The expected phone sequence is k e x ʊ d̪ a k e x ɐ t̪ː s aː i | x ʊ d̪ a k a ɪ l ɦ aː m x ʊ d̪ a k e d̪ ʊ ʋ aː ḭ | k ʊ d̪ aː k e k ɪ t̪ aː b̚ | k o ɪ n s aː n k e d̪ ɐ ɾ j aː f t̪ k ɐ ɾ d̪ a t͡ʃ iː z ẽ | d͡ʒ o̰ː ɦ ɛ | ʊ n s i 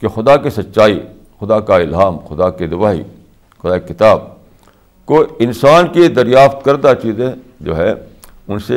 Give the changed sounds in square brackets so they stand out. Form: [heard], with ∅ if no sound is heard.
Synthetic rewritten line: k e x ʊ d̪ a k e [s] ɐ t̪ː [ʃ] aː i | x ʊ d̪ a k a ɪ l ɦ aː m x ʊ d̪ a k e d̪ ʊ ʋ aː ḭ | [x] ʊ d̪ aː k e k ɪ t̪ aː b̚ | k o ɪ n s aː n k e d̪ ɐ ɾ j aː f t̪ k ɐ ɾ d̪ a t͡ʃ iː z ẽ | d͡ʒ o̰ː ɦ ɛ | ʊ n s [e]